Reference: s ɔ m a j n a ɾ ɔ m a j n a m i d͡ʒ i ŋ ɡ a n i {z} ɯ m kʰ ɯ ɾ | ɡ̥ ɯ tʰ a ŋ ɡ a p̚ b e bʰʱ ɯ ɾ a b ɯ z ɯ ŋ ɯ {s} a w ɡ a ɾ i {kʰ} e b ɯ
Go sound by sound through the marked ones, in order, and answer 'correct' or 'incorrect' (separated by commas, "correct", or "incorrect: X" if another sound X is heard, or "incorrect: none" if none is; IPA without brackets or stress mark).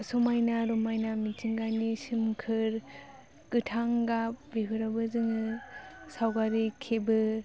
incorrect: s, correct, correct